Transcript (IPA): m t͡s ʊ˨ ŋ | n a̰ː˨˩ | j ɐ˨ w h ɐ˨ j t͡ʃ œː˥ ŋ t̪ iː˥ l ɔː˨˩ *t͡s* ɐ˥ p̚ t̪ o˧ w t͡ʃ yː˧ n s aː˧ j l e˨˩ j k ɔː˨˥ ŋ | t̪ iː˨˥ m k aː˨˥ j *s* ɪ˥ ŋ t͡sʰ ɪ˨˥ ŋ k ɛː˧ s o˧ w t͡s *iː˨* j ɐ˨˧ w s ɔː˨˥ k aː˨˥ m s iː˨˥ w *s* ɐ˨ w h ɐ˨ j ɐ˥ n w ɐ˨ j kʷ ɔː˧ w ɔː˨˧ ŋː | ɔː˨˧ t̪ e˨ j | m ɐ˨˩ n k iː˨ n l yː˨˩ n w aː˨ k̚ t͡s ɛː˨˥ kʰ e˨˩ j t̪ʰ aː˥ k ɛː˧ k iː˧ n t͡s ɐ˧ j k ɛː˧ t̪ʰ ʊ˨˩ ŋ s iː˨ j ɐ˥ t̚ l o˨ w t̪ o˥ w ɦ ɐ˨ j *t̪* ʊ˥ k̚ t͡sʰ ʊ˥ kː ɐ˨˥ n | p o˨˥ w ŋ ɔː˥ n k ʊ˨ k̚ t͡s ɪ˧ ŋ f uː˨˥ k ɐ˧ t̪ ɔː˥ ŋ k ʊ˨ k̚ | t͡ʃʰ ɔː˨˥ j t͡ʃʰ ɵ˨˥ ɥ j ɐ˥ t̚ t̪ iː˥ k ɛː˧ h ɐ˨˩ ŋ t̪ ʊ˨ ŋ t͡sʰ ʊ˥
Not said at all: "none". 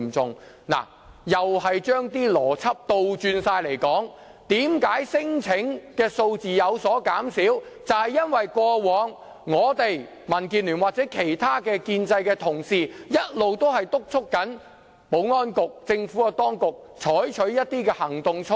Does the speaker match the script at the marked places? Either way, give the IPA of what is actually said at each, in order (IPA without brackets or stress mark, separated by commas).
t͡sʰ, s, iː˨, t͡s, t̪